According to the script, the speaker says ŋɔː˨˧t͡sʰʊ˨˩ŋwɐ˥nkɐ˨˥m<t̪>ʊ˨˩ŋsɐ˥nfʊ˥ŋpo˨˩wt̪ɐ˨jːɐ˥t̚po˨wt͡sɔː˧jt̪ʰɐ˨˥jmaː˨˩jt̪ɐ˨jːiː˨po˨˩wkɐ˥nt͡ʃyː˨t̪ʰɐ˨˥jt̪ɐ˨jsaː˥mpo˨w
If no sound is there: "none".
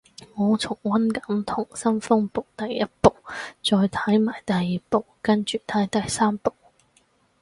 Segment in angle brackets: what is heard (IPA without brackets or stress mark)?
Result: t̪ʰ